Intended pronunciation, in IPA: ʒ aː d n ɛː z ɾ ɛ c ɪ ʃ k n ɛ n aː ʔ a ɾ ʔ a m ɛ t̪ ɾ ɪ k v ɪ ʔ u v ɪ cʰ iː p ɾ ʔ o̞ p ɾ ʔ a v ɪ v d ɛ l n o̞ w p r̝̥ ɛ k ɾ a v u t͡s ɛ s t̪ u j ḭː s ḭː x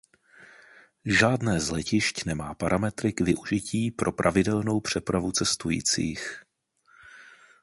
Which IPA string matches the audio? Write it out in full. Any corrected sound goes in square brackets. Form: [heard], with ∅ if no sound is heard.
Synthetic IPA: ʒ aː d n ɛː z [l] ɛ c ɪ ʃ [c] n ɛ [m] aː [p] a ɾ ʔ a m ɛ t̪ ɾ ɪ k v ɪ ʔ u [ʒ] ɪ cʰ iː p ɾ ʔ o̞ p ɾ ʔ a v ɪ [∅] d ɛ l n o̞ w p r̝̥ ɛ [p] ɾ a v u t͡s ɛ s t̪ u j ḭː [t͡s] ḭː x